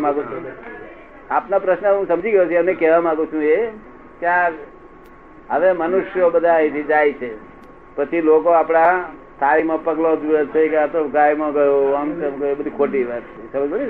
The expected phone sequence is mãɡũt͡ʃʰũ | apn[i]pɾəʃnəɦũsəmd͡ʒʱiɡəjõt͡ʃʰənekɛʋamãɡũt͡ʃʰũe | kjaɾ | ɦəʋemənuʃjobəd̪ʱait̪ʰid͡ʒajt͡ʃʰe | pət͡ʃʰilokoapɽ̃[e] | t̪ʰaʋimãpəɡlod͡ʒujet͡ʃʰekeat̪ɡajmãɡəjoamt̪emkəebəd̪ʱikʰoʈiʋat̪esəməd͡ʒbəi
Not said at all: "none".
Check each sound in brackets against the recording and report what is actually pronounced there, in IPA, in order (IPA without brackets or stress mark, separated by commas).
a, a